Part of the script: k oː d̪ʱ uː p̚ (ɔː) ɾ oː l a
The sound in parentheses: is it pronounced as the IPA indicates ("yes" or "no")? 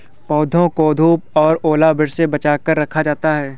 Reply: yes